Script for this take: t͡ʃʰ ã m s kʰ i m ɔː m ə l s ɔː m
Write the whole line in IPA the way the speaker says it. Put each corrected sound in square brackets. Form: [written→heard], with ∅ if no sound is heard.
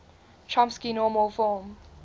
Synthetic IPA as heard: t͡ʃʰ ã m s [kʰ→k] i [m→n] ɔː m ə l [s→f] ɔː m